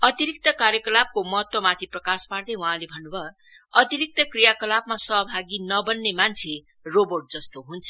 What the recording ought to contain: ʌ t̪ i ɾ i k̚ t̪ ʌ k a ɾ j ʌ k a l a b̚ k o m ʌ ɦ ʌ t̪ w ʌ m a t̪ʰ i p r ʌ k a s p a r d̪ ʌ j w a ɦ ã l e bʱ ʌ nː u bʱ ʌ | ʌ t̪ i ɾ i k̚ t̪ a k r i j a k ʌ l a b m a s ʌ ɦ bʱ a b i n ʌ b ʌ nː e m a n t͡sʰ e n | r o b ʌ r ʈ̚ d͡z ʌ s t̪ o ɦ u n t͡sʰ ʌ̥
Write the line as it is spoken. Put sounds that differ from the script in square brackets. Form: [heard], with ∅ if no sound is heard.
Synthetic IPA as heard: ʌ t̪ i ɾ i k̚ t̪ ʌ k a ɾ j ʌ k [ʌ] l a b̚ k o m ʌ ɦ ʌ t̪ w ʌ m a t̪ʰ i p r ʌ k a s p a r d̪ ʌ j w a ɦ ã l e bʱ ʌ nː u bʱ ʌ | ʌ t̪ i ɾ i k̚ t̪ [ʌ] k r i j a k ʌ l a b m a s ʌ ɦ bʱ a [ɡ] i n ʌ b ʌ nː e m a n t͡sʰ e [∅] | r o b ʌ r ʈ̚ d͡z ʌ s t̪ o ɦ u n t͡sʰ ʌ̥

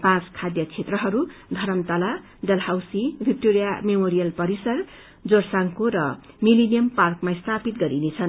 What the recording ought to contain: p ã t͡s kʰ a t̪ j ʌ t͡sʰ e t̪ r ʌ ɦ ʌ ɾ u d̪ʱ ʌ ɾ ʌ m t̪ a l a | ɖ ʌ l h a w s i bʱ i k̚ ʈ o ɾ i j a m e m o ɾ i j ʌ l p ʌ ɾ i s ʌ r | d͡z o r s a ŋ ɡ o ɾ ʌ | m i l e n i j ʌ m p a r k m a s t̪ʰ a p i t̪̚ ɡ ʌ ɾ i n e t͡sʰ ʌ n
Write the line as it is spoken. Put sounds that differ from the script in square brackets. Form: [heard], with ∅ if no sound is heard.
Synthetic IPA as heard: p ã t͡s kʰ a [d̪] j ʌ t͡sʰ e t̪ r ʌ ɦ ʌ ɾ u d̪ʱ ʌ ɾ ʌ m t̪ a l a | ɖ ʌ l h a w s i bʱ i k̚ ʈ o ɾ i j a m e m o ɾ i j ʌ l p ʌ ɾ i s ʌ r | d͡z o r s a ŋ [k] o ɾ ʌ | m i l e n i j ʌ m p a r k m a s t̪ʰ a p i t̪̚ ɡ ʌ ɾ i n e t͡sʰ ʌ n

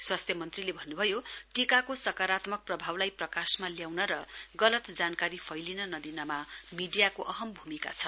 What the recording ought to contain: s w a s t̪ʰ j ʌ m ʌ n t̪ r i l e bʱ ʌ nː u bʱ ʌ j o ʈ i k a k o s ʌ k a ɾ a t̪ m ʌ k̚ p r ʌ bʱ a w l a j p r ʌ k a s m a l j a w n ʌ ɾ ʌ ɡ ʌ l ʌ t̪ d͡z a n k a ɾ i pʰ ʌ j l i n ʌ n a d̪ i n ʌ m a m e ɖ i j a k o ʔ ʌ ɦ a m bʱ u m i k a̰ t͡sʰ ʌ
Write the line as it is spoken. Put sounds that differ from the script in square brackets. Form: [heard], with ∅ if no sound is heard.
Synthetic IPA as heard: s w a s t̪ʰ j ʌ m ʌ n t̪ r i l e bʱ ʌ nː u bʱ ʌ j o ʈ i k a k o s ʌ k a ɾ a t̪ m ʌ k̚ p r ʌ bʱ a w l a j p r ʌ k a s m a l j a w n ʌ ɾ ʌ ɡ ʌ l ʌ t̪ d͡z a n k a ɾ i pʰ ʌ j l i n ʌ n [ʌ] d̪ i n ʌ m a m [i] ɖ i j a k o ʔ ʌ ɦ [ʌ] m bʱ u m i k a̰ t͡sʰ ʌ

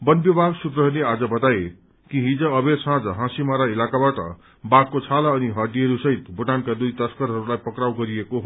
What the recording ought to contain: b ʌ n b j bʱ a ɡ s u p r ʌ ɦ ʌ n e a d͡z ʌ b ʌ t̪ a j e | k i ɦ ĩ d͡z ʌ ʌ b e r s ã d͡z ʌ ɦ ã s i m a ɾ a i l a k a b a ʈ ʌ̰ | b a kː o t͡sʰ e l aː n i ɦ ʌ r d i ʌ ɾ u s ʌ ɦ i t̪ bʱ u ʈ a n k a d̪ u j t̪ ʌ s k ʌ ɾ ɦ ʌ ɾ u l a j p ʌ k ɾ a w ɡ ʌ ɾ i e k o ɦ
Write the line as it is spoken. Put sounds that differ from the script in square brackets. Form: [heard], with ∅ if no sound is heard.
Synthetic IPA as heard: b ʌ n b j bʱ a ɡ s u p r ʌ ɦ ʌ n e a d͡z ʌ b ʌ t̪ a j e | k i ɦ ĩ d͡z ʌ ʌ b e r s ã d͡z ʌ ɦ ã s i m a ɾ a i l a k a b a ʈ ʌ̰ | b a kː o t͡sʰ [a] l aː n i ɦ ʌ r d i ʌ ɾ u s ʌ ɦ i t̪ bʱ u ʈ a n k a d̪ u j t̪ ʌ s k ʌ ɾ ɦ ʌ ɾ u l a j p ʌ k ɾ a w ɡ ʌ ɾ i e k o ɦ

